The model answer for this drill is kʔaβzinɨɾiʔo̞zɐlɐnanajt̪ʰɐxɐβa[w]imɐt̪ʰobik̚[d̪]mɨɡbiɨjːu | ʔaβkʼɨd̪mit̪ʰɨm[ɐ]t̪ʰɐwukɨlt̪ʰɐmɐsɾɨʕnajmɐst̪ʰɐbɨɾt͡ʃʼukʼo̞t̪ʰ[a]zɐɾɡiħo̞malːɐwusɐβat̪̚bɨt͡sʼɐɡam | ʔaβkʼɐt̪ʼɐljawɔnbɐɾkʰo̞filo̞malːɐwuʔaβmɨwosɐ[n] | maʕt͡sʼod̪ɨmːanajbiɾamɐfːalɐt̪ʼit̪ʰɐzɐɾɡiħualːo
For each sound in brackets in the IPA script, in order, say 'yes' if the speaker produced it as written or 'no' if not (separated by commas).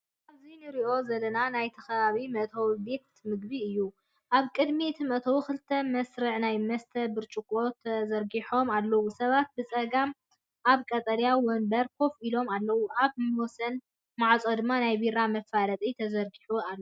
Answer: no, no, yes, no, yes